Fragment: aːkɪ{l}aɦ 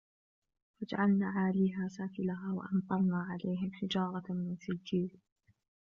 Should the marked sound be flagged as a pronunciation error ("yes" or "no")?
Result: no